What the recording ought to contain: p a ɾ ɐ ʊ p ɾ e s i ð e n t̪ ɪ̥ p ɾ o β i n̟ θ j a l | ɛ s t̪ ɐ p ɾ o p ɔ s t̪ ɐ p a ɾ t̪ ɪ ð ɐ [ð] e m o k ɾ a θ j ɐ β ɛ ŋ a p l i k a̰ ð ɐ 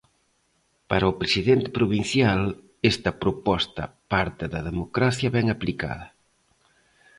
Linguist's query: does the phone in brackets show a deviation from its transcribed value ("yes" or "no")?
no